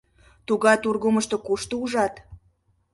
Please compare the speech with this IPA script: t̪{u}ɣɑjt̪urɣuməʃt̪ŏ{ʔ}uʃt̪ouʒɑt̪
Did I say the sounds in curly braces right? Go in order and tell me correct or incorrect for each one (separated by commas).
correct, incorrect